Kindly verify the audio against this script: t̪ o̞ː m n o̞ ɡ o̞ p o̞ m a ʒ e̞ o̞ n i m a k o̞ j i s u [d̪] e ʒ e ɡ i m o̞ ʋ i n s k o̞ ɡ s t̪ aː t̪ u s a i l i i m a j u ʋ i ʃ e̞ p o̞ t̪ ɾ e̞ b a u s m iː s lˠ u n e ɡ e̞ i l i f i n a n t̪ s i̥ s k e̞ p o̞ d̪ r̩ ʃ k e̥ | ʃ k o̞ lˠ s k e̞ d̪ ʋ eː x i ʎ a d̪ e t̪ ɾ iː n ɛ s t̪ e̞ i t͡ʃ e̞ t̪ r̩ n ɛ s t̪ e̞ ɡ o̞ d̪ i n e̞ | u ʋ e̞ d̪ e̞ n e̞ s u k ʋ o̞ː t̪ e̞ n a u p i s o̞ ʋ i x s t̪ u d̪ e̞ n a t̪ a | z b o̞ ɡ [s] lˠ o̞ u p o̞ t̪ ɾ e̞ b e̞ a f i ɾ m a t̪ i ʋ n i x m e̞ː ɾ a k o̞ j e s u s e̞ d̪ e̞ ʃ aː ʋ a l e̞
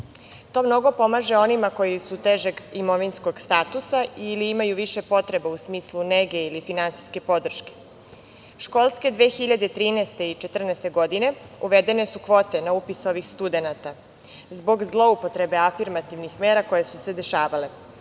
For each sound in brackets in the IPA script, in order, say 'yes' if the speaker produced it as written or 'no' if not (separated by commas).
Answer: no, no